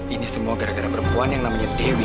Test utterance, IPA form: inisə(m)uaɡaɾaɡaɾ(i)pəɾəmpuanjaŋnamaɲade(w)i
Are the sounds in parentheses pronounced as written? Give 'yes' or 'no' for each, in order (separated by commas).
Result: yes, no, yes